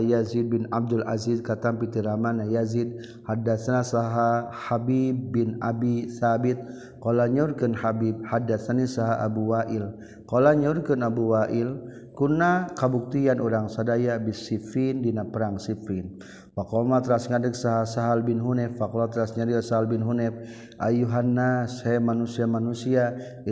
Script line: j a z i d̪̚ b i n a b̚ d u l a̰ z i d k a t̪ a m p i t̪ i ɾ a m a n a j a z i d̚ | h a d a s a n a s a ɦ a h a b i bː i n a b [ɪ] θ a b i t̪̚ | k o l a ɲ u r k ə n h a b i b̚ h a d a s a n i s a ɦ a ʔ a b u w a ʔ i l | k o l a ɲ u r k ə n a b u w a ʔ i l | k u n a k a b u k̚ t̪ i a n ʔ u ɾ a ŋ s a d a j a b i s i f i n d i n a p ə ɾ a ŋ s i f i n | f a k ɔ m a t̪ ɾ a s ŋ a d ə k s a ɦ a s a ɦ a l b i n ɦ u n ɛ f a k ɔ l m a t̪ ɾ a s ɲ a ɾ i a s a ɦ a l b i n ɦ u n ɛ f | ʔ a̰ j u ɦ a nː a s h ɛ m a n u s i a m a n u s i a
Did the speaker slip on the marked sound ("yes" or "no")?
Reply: yes